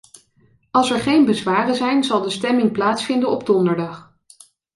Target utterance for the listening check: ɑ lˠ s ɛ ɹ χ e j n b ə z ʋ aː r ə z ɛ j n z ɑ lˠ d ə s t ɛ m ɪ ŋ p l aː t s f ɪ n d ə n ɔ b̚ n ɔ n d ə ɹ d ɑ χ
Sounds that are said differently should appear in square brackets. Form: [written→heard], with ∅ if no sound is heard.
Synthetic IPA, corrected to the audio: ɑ lˠ s ɛ ɹ χ e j n b ə z ʋ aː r ə z ɛ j n z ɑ lˠ d ə s t ɛ m ɪ ŋ p l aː t s f ɪ n d ə n ɔ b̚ [n→d] ɔ n d ə ɹ d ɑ χ